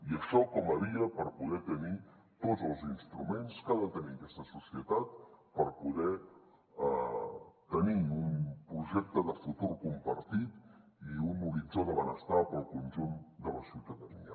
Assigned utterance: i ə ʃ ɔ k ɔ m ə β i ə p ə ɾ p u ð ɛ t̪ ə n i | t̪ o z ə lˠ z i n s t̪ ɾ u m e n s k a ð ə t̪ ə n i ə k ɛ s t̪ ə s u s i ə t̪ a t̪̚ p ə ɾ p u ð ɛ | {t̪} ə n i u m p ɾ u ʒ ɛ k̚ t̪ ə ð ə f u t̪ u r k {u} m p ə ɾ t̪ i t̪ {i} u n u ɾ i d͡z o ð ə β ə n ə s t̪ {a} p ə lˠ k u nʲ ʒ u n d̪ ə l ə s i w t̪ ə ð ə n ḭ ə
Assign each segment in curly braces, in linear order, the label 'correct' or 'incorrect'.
correct, correct, correct, correct

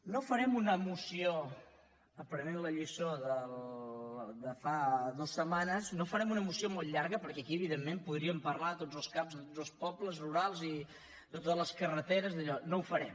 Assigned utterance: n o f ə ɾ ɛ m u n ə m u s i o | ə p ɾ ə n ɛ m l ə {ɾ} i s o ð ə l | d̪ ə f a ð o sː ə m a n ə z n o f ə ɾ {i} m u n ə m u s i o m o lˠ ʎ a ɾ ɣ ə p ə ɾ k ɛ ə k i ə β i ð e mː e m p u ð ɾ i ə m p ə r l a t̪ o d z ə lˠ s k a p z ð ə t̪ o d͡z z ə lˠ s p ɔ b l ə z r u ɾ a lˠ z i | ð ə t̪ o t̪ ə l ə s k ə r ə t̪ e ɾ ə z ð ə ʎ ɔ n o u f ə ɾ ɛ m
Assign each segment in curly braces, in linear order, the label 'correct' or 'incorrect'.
incorrect: ʎ, incorrect: ɛ

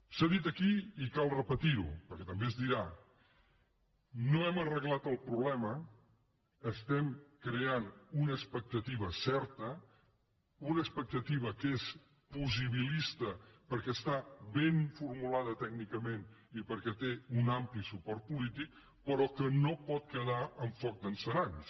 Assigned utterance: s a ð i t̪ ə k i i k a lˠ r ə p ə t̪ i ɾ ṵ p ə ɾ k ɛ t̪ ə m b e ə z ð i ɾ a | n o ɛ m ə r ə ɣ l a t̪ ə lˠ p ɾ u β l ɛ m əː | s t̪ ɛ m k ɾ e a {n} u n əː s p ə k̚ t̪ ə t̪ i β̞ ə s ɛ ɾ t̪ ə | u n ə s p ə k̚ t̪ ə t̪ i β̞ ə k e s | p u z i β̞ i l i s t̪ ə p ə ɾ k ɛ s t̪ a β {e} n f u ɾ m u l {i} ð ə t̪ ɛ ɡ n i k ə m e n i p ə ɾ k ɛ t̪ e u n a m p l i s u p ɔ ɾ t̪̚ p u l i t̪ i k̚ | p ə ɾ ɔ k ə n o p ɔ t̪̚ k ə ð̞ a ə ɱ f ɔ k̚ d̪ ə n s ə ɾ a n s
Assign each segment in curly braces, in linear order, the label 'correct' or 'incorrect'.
correct, correct, incorrect: a

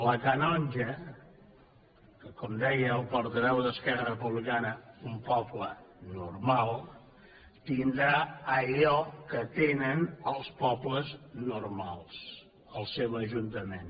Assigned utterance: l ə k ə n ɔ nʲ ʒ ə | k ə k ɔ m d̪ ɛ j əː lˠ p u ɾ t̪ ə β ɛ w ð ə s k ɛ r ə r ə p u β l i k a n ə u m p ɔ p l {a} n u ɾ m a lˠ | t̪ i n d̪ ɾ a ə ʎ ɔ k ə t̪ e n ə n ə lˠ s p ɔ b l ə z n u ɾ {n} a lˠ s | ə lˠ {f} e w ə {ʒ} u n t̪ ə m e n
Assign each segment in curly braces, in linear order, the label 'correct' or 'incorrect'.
incorrect: ə, incorrect: m, incorrect: s, correct

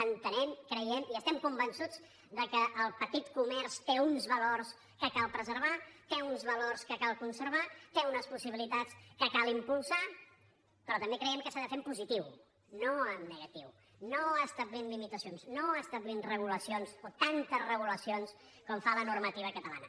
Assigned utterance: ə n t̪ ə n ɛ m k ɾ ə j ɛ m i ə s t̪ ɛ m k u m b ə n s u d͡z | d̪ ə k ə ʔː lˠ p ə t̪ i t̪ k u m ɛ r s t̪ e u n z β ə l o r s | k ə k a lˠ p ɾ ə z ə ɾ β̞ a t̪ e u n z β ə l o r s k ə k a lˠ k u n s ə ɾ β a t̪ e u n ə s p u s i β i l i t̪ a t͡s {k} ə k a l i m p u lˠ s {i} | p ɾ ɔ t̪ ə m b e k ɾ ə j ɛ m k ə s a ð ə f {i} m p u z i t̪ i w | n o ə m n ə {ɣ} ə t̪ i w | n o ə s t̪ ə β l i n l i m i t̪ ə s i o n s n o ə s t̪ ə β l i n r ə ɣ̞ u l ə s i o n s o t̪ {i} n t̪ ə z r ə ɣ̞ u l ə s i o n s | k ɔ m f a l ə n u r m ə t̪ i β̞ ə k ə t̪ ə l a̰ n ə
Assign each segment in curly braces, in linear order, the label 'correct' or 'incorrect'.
correct, incorrect: a, incorrect: e, correct, incorrect: a

